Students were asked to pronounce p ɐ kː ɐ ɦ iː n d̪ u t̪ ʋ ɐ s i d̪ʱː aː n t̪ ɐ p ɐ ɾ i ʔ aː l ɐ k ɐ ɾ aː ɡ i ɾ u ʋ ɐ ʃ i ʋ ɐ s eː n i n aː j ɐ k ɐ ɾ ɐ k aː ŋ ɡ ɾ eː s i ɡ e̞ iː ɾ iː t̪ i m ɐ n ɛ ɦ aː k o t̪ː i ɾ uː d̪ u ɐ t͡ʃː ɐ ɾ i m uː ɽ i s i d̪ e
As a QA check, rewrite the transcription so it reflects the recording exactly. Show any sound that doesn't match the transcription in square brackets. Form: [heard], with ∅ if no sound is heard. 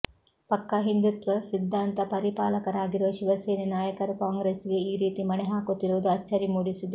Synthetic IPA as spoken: p ɐ kː ɐ ɦ [i] n d̪ u t̪ ʋ ɐ s i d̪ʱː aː n t̪ ɐ p ɐ ɾ i [p] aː l ɐ k ɐ ɾ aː ɡ i ɾ u ʋ ɐ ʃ i ʋ ɐ s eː n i n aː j ɐ k ɐ ɾ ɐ k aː ŋ ɡ ɾ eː s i ɡ e̞ iː ɾ iː t̪ i m ɐ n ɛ ɦ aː k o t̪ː i ɾ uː d̪ u ɐ t͡ʃː ɐ ɾ i m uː ɽ i s i d̪ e